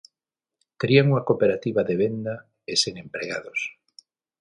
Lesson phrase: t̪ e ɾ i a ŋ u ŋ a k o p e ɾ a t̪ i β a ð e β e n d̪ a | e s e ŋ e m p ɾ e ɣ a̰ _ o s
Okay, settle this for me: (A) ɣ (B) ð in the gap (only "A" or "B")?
B